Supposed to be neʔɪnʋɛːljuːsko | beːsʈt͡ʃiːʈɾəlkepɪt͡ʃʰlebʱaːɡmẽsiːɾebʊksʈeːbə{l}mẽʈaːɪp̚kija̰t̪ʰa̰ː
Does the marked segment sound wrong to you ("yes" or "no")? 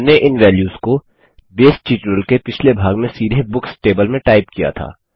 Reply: no